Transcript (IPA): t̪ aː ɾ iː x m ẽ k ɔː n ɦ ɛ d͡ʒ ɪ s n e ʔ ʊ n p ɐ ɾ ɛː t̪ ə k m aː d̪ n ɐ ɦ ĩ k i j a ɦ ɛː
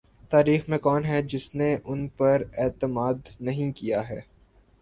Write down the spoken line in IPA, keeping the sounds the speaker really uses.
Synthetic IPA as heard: t̪ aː ɾ iː x m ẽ k ɔː n ɦ ɛ d͡ʒ ɪ s n e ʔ ʊ n p ɐ ɾ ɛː t̪ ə m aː d̪ n ɐ ɦ ĩ k i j a ɦ ɛː